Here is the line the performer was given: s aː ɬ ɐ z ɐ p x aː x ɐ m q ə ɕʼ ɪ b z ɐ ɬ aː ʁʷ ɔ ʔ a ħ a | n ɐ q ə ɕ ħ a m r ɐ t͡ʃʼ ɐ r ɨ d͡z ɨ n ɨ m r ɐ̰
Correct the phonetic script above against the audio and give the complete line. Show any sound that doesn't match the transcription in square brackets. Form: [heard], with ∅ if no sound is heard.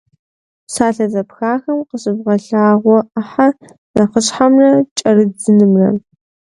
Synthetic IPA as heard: s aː ɬ ɐ z ɐ p x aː x ɐ m q ə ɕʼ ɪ b [ʁ] ɐ ɬ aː ʁʷ ɔ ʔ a ħ a | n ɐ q ə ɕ ħ a m r ɐ t͡ʃʼ ɐ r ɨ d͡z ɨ n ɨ m r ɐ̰